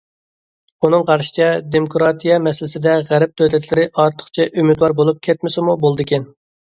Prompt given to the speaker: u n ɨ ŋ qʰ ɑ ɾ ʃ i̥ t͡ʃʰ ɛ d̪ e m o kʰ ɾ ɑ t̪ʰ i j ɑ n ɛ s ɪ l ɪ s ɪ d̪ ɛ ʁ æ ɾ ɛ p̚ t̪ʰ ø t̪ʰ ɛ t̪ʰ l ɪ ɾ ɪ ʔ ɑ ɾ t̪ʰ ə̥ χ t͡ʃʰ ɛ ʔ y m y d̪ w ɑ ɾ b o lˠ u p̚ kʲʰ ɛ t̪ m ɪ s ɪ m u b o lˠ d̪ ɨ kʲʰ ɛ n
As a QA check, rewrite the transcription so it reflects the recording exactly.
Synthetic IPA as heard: u n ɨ ŋ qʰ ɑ ɾ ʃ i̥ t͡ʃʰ ɛ d̪ e m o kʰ ɾ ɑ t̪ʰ i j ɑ m ɛ s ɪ l ɪ s ɪ d̪ ɛ ʁ æ ɾ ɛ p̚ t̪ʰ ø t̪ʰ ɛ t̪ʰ l ɪ ɾ ɪ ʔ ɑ ɾ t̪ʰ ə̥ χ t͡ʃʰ ɛ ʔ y m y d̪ w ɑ ɾ b o lˠ u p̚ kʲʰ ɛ t̪ m ɪ s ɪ m u b o lˠ d̪ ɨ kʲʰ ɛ n

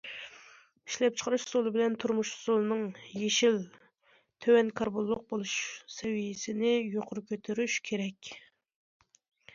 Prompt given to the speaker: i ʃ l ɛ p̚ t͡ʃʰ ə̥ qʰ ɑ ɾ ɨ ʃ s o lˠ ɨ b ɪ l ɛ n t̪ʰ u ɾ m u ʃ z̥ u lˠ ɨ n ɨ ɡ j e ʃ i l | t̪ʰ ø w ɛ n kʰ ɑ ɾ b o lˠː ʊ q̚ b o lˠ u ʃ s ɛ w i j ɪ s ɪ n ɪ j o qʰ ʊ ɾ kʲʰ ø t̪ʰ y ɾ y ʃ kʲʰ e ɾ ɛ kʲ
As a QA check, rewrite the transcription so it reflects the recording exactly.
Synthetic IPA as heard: i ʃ l ɛ p̚ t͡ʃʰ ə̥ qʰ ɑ ɾ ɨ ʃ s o lˠ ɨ b ɪ l ɛ n t̪ʰ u ɾ m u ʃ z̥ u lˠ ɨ n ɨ ŋ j e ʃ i l | t̪ʰ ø w ɛ n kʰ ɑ ɾ b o lˠː ʊ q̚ b o lˠ u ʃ s ɛ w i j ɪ s ɪ n ɪ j o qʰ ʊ ɾ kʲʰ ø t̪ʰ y ɾ y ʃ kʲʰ e ɾ ɛ kʲ

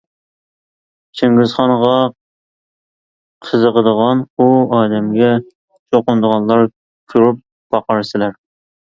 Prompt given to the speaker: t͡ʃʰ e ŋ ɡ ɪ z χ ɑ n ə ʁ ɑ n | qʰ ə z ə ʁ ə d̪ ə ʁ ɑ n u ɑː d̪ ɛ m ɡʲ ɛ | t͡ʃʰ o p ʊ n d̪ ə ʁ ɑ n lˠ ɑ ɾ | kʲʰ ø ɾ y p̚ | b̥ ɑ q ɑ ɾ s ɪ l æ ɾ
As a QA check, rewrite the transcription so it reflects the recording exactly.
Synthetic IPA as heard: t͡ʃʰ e ŋ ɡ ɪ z χ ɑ n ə ʁ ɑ | qʰ ə z ə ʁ ə d̪ ə ʁ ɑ n u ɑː d̪ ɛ m ɡʲ ɛ | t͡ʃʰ o q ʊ n d̪ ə ʁ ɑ n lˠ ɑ ɾ | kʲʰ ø ɾ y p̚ | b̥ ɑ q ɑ ɾ s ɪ l æ ɾ

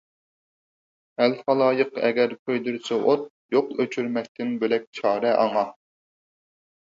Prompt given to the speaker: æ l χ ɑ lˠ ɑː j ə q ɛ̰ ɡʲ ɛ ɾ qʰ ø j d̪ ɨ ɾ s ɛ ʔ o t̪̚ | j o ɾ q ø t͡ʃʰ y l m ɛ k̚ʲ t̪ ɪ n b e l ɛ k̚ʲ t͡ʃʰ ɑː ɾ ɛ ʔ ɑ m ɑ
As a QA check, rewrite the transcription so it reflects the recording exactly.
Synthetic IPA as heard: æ l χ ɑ lˠ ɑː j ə q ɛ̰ ɡʲ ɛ ɾ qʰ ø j d̪ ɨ ɾ s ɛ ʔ o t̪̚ | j o q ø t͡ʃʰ y ɾ m ɛ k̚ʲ t̪ ɪ n b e l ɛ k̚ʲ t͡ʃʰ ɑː ɾ ɛ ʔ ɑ ŋ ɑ

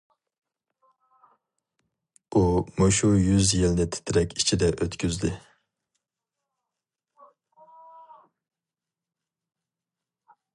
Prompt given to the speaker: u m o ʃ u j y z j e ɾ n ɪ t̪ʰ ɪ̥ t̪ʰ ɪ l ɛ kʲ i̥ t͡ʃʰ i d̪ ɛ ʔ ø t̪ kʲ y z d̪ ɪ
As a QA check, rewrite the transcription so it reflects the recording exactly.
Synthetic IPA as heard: u m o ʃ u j y z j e l n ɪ t̪ʰ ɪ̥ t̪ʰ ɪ ɾ ɛ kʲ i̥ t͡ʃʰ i d̪ ɛ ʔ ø t̪ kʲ y z d̪ ɪ

